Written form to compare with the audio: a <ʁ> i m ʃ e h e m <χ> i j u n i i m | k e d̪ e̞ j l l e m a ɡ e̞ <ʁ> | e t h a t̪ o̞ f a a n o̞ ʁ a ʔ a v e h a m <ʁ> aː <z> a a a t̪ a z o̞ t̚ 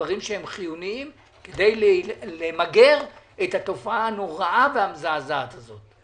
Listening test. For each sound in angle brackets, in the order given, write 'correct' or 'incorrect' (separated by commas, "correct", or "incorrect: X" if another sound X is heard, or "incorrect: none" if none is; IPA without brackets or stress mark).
correct, correct, correct, incorrect: z, correct